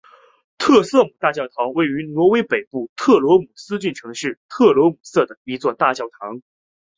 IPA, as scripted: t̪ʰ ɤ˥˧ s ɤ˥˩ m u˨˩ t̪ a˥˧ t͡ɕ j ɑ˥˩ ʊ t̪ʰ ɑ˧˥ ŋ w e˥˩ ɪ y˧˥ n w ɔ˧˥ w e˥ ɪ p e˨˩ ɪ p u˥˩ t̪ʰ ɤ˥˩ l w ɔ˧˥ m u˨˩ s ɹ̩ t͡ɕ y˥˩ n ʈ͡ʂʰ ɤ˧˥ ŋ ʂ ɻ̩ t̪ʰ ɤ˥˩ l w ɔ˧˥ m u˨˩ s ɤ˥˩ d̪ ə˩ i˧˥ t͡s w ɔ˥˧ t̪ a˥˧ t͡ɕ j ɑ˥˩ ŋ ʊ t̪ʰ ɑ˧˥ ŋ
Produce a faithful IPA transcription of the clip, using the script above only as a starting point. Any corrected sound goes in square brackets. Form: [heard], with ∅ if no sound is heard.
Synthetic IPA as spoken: t̪ʰ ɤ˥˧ s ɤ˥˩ m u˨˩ t̪ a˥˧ t͡ɕ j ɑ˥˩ ʊ t̪ʰ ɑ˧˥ ŋ w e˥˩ ɪ y˧˥ n w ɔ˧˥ w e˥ ɪ p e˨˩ ɪ p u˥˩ t̪ʰ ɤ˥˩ l w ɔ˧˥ m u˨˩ s ɹ̩ t͡ɕ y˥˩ n ʈ͡ʂʰ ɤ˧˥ ŋ ʂ ɻ̩ t̪ʰ ɤ˥˩ l w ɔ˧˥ m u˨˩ s ɤ˥˩ d̪ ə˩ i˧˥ t͡s w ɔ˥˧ t̪ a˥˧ t͡ɕ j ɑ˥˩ [∅] ʊ t̪ʰ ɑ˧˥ ŋ